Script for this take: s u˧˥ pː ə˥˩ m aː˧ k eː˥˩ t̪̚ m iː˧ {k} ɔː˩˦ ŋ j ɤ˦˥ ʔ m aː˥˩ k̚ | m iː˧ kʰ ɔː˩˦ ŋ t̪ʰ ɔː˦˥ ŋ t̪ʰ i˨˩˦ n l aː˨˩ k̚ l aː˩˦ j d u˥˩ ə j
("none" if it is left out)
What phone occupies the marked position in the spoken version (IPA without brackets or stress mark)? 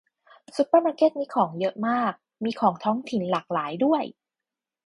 kʰ